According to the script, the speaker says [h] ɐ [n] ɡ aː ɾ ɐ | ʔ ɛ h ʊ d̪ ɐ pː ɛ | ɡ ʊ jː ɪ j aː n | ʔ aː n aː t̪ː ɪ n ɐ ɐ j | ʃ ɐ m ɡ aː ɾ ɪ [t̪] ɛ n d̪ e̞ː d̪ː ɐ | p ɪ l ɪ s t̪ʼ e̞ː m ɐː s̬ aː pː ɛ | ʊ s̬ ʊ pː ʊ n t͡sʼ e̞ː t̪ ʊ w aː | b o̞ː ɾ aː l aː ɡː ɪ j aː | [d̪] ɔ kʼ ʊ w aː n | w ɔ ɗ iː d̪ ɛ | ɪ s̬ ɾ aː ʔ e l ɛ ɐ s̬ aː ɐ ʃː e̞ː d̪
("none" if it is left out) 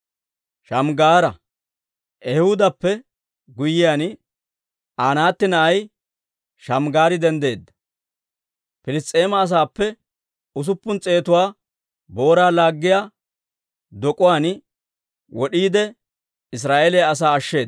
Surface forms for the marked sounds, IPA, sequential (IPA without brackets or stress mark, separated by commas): ʃ, m, d̪, d̪